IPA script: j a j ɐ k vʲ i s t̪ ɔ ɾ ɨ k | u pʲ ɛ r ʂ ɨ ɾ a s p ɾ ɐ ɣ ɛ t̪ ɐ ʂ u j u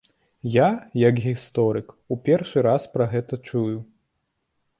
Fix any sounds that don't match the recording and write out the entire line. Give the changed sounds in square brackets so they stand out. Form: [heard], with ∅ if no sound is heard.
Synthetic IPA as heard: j a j ɐ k [ɣʲ] i s t̪ ɔ ɾ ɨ k | u pʲ ɛ r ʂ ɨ ɾ a s p ɾ ɐ ɣ ɛ t̪ ɐ [t͡ʂ] u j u